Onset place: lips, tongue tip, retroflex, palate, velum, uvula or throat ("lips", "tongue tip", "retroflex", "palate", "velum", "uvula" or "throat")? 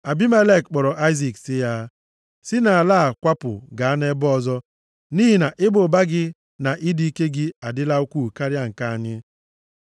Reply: lips